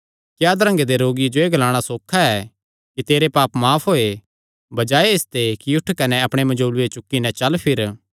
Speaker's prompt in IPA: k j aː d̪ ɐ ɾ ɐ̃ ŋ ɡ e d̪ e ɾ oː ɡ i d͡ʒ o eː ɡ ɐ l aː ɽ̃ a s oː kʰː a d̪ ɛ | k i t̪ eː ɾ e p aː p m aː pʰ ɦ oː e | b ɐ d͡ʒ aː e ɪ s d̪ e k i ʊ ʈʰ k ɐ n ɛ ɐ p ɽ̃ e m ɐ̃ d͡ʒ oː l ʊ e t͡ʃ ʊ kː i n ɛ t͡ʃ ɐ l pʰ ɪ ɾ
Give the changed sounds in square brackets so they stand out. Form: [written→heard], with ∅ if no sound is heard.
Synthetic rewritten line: k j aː d̪ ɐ ɾ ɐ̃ ŋ ɡ e d̪ e ɾ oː ɡ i d͡ʒ o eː ɡ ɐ l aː ɽ̃ a s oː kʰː a [d̪→∅] ɛ | k i t̪ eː ɾ e p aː p m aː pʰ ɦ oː e | b ɐ d͡ʒ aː e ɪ s [d̪→t̪] e k i ʊ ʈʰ k ɐ n ɛ ɐ p ɽ̃ e m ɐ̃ d͡ʒ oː l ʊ e t͡ʃ ʊ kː i n ɛ t͡ʃ ɐ l pʰ ɪ ɾ

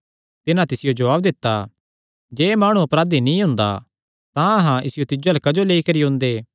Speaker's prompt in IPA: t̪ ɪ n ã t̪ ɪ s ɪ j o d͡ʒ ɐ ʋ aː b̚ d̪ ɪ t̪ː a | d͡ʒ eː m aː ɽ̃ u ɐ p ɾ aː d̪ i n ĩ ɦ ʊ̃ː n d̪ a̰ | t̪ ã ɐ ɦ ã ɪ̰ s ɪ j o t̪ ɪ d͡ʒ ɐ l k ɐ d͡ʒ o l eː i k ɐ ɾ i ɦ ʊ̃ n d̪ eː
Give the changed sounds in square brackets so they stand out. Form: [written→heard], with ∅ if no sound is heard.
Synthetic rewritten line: t̪ ɪ n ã t̪ ɪ s ɪ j o d͡ʒ ɐ ʋ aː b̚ d̪ ɪ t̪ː a | d͡ʒ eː m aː ɽ̃ u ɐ p ɾ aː d̪ i n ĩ ɦ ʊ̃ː n d̪ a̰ | t̪ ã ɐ ɦ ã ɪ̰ s ɪ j o t̪ ɪ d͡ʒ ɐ l k ɐ d͡ʒ o l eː i k ɐ ɾ i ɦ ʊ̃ n d̪ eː

